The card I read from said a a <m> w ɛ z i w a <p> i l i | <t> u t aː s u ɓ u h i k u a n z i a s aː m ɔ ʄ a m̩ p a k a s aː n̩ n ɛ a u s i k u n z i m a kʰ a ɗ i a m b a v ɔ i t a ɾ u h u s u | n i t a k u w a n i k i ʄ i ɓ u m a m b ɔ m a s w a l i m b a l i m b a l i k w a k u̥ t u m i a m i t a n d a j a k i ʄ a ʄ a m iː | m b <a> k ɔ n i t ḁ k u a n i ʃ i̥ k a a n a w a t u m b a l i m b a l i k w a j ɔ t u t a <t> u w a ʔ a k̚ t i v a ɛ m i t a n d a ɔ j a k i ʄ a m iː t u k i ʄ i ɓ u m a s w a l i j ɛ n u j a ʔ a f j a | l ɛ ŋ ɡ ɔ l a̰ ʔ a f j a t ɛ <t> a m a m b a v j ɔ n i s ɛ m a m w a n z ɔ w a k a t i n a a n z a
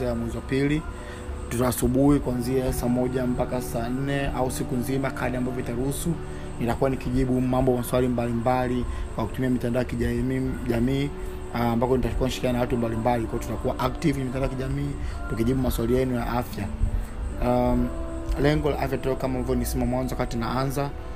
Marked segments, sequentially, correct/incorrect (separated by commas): correct, correct, correct, correct, incorrect, incorrect